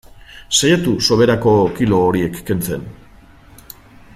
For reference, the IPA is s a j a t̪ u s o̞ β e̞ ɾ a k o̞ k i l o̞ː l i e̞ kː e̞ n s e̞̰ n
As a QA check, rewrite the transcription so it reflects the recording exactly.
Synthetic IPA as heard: s a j a t̪ u s o̞ β e̞ ɾ a k o̞ k i l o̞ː ɾ i e̞ kː e̞ n t͡s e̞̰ n